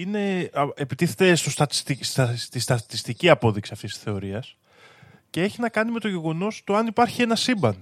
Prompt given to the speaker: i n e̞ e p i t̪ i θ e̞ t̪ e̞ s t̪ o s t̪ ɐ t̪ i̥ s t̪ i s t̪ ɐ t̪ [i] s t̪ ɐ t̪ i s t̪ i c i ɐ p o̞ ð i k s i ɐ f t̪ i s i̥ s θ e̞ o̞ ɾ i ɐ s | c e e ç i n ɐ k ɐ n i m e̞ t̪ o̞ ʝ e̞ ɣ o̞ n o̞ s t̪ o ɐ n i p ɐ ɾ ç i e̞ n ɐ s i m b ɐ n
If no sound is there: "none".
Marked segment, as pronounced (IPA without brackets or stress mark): i